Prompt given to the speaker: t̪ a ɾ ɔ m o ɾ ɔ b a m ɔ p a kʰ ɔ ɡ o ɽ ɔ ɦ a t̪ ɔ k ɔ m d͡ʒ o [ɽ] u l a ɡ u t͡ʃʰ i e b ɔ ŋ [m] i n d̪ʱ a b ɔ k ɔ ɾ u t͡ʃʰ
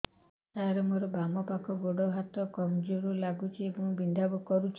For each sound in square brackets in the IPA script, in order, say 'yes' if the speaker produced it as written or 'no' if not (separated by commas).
no, no